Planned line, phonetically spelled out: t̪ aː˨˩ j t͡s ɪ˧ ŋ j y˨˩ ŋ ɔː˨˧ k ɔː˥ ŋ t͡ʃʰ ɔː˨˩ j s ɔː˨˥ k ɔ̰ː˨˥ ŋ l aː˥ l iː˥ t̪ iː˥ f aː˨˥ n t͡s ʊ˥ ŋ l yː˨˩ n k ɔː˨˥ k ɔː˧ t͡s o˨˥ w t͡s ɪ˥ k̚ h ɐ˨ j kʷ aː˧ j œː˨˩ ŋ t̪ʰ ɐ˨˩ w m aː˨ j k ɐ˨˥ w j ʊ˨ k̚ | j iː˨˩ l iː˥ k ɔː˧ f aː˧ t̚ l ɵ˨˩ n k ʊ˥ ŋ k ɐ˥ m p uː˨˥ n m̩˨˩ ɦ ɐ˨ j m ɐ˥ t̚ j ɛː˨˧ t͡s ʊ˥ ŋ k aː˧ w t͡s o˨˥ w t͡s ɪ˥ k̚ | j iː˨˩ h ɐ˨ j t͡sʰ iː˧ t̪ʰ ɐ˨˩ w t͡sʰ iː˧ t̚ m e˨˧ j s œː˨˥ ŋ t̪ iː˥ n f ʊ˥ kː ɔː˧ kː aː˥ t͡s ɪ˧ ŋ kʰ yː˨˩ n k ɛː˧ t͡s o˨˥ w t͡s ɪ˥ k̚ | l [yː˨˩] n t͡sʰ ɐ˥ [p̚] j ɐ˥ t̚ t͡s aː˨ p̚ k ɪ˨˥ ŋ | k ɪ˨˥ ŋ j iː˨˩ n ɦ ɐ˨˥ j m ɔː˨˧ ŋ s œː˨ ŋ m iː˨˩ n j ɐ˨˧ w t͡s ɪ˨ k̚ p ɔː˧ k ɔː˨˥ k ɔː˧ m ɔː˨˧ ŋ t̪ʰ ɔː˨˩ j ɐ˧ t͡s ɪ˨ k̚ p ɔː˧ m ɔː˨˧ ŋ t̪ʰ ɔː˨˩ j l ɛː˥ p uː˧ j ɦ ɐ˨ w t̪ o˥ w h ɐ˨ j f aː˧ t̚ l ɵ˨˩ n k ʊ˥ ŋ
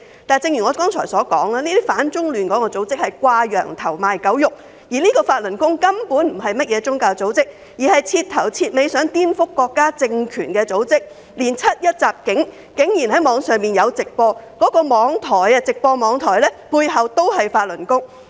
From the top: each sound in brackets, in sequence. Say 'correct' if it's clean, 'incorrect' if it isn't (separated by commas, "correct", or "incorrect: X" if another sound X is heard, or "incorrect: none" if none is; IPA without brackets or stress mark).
incorrect: iː˨˩, incorrect: t̚